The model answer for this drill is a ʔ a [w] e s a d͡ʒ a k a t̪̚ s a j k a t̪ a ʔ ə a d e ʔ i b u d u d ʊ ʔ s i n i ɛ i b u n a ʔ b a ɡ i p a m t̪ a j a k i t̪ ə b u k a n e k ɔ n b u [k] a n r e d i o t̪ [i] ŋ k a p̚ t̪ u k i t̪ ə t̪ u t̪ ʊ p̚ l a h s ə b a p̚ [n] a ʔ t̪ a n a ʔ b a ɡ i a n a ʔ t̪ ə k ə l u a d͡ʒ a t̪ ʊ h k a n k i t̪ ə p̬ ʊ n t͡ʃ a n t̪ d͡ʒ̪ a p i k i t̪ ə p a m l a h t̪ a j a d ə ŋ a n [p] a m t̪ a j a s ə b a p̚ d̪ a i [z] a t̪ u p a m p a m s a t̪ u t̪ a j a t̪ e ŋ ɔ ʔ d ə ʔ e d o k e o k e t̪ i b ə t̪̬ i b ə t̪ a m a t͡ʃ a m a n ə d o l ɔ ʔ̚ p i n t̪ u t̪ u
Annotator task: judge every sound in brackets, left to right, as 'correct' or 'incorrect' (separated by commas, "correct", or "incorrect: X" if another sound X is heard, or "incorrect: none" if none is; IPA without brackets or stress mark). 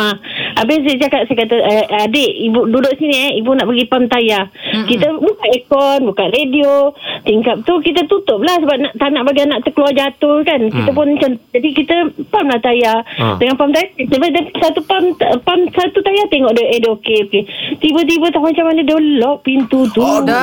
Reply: incorrect: b, correct, correct, correct, correct, incorrect: s